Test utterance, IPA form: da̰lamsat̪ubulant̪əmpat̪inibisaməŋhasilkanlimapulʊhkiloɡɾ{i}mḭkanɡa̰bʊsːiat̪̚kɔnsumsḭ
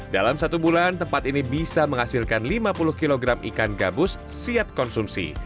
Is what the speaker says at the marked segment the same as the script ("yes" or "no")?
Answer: no